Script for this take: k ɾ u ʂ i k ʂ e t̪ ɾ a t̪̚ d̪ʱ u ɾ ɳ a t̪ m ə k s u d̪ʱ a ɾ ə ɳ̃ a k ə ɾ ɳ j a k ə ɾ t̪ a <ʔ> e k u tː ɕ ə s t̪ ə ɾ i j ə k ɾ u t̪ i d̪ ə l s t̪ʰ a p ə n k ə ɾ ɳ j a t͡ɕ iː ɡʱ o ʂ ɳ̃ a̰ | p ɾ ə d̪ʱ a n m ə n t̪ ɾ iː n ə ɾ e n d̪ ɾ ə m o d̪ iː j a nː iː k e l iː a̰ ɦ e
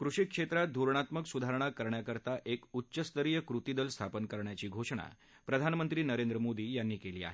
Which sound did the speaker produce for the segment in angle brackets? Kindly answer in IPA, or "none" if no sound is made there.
ʔ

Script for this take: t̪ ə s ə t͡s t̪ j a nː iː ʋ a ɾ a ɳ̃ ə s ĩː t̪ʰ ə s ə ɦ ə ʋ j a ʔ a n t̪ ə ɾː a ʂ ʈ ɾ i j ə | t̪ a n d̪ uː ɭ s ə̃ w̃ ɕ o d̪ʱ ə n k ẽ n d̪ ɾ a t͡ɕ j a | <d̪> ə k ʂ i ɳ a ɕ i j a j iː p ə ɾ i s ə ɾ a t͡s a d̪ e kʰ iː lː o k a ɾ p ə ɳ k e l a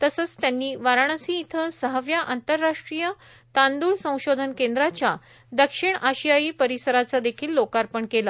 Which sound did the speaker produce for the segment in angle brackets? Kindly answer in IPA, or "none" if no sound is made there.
d̪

